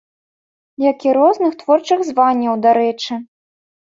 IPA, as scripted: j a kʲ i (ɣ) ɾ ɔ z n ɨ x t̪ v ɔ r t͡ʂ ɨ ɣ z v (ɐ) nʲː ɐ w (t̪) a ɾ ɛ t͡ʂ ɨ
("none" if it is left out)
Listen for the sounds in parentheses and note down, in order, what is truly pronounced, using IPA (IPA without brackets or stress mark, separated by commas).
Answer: none, a, d̪